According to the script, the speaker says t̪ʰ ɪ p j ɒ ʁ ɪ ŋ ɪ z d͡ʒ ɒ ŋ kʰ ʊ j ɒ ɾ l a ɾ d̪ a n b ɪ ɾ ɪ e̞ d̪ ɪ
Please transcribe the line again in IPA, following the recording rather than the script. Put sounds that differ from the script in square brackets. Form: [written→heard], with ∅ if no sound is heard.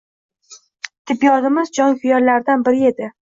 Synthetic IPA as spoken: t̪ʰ ɪ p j ɒ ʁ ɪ [ŋ→m] ɪ z d͡ʒ ɒ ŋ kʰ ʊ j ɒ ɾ l a ɾ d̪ a n b ɪ ɾ ɪ e̞ d̪ ɪ